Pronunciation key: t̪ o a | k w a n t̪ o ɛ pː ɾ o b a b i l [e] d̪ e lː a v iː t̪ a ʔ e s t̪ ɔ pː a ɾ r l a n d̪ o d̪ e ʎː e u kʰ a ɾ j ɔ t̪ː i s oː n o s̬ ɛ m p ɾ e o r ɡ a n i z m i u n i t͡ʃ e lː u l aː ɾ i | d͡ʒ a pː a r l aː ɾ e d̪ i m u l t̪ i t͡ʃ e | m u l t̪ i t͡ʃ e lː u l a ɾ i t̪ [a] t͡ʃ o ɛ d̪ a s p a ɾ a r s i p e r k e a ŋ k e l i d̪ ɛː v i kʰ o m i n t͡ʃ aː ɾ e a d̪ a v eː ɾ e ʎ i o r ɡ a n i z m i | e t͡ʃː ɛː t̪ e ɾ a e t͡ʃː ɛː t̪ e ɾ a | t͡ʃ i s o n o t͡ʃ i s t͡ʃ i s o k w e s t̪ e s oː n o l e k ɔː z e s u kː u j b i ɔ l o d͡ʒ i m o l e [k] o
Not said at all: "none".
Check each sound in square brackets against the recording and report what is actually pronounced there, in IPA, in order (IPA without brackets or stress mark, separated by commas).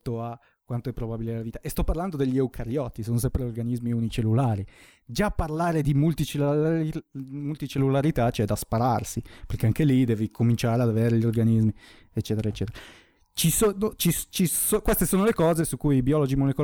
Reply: e, a, k